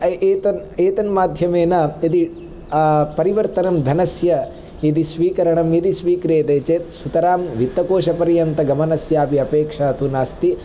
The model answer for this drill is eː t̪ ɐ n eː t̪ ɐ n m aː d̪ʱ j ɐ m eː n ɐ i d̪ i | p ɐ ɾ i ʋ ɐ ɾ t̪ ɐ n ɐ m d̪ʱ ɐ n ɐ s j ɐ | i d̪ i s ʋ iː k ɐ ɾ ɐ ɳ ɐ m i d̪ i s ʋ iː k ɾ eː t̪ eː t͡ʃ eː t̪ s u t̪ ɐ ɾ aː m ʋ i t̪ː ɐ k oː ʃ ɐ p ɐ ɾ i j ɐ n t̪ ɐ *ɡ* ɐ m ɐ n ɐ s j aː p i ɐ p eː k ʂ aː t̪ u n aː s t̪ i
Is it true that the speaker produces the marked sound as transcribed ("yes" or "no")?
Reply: yes